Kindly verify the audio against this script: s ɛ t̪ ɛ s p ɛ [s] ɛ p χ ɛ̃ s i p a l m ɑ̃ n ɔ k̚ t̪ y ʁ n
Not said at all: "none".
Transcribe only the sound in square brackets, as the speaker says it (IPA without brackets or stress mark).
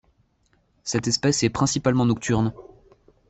s